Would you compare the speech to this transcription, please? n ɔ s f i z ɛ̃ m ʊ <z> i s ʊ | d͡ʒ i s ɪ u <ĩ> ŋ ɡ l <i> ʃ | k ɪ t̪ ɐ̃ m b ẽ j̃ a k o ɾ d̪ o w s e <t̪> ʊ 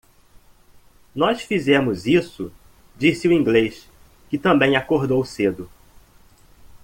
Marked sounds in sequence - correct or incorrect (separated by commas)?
correct, correct, incorrect, incorrect